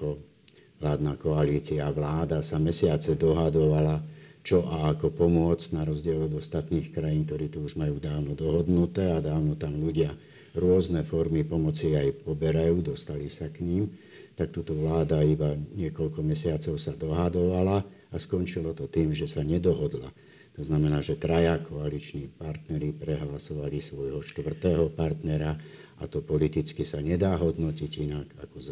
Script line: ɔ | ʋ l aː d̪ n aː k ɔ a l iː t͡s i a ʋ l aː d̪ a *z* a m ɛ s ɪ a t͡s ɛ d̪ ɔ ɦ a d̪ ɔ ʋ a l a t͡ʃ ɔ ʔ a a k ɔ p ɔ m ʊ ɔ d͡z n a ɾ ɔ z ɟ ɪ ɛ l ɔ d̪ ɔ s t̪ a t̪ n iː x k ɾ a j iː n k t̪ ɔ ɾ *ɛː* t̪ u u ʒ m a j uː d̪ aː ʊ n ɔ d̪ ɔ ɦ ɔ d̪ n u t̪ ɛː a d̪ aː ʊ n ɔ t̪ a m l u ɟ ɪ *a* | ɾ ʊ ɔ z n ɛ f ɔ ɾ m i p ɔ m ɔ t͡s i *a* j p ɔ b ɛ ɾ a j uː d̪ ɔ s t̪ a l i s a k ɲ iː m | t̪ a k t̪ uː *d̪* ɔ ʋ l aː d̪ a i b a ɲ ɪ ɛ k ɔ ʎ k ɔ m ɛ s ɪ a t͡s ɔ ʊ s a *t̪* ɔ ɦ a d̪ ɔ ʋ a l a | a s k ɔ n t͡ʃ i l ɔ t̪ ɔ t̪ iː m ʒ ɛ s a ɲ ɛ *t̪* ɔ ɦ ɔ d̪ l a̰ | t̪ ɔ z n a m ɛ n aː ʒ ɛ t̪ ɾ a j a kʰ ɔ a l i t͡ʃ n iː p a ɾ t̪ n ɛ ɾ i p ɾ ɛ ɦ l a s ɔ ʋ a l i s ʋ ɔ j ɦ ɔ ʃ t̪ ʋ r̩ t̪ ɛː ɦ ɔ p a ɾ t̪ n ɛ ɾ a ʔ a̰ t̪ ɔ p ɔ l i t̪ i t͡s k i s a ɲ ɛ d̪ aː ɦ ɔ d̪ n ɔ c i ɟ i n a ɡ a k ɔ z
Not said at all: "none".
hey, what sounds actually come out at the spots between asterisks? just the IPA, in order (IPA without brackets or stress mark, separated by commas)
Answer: s, iː, a, a, t̪, d̪, d̪